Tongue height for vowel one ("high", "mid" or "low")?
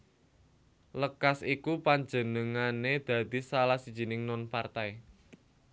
mid